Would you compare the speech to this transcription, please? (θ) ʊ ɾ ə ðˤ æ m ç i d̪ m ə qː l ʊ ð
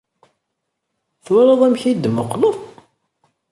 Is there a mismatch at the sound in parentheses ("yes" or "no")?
no